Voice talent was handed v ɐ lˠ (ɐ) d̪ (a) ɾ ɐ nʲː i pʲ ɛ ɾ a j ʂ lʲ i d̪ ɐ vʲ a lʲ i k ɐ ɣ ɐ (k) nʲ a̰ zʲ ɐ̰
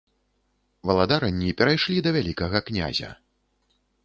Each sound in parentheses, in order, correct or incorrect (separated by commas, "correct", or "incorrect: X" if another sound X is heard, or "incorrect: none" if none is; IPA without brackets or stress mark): incorrect: a, correct, correct